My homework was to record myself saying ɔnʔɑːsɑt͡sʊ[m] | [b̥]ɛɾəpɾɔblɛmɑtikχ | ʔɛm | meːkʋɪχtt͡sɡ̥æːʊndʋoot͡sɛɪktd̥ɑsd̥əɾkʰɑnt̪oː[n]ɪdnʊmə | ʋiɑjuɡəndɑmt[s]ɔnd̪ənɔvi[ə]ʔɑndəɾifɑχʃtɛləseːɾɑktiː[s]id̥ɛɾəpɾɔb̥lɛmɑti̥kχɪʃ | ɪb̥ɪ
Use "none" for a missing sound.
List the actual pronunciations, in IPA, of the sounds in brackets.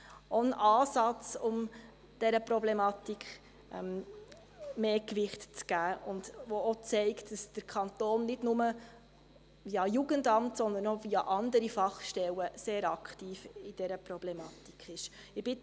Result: m, d̥, nː, s, ɑ, f

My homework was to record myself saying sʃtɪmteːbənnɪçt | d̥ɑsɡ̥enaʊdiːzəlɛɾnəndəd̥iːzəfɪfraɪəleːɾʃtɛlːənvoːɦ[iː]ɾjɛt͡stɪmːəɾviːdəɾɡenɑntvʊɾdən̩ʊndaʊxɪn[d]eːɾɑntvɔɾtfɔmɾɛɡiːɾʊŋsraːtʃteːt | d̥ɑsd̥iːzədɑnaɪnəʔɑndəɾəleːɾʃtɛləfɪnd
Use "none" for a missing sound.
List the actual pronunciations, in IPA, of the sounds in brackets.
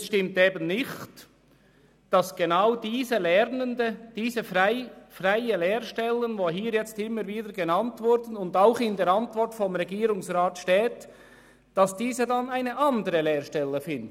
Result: iː, d

